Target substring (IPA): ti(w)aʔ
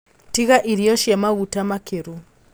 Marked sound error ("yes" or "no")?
yes